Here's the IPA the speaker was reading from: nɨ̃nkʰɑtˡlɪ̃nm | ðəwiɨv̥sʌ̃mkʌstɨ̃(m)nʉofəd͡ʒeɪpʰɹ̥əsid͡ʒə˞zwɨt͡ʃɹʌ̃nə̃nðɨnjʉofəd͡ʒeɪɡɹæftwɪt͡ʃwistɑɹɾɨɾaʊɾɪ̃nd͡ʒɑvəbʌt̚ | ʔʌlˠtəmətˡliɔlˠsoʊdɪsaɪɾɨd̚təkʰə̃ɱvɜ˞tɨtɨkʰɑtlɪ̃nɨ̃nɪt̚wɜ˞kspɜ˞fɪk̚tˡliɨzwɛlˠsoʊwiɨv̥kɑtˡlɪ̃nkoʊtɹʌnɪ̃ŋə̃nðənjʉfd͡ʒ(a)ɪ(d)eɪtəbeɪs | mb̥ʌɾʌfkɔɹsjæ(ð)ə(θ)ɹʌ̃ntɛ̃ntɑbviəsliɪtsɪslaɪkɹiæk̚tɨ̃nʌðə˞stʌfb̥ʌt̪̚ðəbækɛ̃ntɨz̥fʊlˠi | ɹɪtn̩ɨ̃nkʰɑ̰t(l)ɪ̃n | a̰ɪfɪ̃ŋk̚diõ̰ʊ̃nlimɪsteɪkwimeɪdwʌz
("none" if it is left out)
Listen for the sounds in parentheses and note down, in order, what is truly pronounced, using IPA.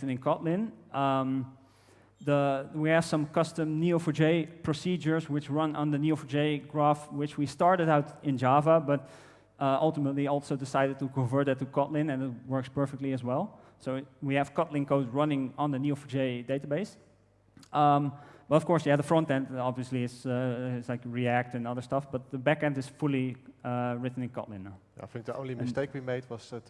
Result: m, e, d, ð, f, l

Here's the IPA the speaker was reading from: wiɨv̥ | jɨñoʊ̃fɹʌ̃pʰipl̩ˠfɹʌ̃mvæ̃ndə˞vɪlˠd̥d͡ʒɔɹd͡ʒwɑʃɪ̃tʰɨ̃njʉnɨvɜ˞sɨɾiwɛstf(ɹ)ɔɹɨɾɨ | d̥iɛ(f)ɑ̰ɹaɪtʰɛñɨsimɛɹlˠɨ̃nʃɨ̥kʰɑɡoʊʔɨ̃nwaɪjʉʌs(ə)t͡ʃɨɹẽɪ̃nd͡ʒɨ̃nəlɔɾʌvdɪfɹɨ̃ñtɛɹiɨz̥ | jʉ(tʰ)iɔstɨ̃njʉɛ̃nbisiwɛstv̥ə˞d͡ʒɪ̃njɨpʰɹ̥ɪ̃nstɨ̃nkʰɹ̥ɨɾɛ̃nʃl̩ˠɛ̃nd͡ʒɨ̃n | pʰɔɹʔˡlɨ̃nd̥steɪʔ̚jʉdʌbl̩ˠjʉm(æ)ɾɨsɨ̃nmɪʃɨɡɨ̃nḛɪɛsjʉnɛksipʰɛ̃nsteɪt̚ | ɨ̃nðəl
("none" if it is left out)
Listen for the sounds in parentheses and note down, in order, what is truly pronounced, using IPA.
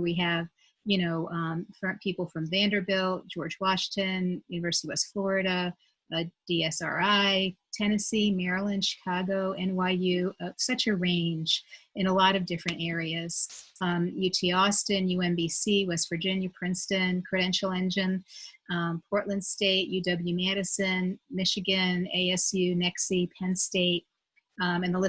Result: l, s, ʌ, tʰ, æ

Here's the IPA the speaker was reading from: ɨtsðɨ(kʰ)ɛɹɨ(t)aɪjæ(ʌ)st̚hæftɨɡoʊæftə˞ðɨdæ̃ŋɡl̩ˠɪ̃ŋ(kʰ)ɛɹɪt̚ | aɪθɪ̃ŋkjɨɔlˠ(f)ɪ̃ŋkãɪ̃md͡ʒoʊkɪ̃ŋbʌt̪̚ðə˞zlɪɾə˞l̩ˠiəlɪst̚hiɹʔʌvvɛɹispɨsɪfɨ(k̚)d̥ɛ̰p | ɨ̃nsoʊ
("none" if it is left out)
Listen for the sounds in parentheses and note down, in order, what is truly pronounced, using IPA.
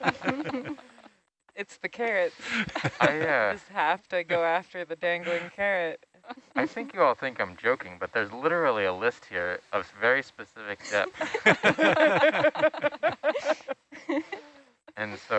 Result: kʰ, t, ʌ, kʰ, θ, k̚

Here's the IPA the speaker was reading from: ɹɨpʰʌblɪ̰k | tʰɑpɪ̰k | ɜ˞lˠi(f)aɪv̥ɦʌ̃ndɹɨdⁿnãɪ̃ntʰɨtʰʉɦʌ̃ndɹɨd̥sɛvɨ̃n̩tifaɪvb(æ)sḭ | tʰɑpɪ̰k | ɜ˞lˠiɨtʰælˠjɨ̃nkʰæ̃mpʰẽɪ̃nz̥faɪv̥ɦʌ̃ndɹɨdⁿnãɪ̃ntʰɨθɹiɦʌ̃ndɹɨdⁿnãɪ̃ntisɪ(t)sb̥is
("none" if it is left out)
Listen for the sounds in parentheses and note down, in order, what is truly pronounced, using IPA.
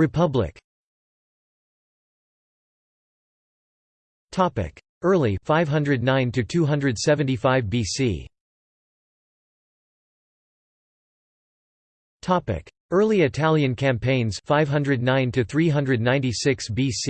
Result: f, i, k

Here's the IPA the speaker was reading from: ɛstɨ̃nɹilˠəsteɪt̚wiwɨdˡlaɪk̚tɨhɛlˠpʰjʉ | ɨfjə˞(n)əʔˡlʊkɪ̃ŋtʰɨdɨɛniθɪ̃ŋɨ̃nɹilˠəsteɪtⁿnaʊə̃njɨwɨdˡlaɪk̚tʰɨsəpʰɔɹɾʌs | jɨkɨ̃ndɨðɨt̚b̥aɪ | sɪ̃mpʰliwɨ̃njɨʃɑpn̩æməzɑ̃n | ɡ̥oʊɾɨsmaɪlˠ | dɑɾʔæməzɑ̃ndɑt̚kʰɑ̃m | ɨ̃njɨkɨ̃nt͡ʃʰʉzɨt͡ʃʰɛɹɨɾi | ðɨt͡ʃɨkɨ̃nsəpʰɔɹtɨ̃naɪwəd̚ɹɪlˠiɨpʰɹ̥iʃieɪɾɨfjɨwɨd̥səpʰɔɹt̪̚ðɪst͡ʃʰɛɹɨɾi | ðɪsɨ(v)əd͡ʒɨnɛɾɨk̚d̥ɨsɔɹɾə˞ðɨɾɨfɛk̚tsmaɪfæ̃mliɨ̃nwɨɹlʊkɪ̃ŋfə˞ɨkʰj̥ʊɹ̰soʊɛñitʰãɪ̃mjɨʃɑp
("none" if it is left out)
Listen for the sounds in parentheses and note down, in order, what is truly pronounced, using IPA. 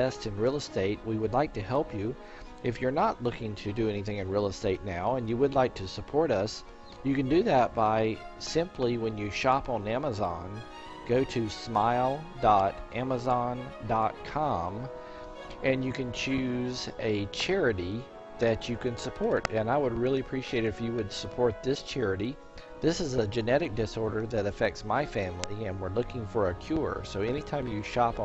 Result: n, z

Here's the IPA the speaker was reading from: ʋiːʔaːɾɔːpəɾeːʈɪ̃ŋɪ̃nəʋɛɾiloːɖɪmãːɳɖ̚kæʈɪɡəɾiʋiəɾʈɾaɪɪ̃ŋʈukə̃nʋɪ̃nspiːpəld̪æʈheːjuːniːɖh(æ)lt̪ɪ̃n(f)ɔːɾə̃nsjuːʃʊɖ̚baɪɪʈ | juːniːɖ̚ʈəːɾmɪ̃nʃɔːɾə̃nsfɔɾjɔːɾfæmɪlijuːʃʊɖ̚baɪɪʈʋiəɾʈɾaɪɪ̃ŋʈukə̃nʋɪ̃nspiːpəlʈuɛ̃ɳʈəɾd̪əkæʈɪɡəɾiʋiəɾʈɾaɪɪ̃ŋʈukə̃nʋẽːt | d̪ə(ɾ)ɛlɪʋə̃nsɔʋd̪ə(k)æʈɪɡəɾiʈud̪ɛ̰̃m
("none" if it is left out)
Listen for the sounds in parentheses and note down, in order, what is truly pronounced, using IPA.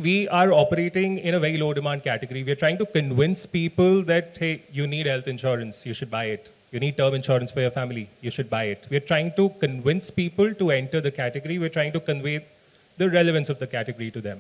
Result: ɛ, ʃ, ɾ, k

